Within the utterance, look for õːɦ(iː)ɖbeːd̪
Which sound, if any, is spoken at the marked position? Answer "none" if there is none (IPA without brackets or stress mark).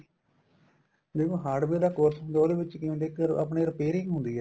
aː